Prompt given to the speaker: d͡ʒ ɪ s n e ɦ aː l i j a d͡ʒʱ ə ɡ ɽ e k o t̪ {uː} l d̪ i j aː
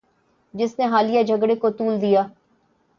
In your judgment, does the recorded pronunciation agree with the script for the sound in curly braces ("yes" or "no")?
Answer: yes